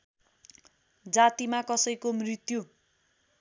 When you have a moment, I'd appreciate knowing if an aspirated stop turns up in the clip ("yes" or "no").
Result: no